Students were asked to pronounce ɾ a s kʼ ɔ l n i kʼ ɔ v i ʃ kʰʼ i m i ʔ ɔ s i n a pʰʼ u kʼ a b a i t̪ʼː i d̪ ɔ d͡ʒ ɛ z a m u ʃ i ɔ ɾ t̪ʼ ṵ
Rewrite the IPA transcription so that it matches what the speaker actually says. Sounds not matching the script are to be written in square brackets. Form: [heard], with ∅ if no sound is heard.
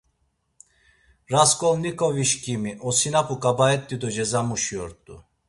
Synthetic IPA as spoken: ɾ a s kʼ ɔ l n i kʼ ɔ v i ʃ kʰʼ i m i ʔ ɔ s i n a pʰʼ u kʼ a b a [ɛ] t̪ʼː i d̪ ɔ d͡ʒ ɛ z a m u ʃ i ɔ ɾ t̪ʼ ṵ